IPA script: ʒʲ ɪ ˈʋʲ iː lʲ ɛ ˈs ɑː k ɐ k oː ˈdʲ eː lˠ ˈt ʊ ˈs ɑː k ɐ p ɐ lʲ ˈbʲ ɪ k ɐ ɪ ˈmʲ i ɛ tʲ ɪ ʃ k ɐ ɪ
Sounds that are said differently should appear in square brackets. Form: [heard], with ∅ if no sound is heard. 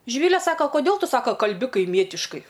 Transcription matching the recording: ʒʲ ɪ ˈʋʲ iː lʲ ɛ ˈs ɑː k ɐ k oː ˈdʲ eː lˠ ˈt ʊ ˈs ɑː k ɐ [k] ɐ lʲ ˈbʲ ɪ k ɐ ɪ ˈmʲ i ɛ tʲ ɪ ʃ k ɐ ɪ